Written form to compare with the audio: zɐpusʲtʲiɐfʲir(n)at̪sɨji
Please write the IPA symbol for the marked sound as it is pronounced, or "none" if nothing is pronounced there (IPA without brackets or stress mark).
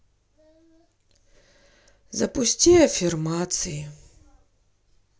m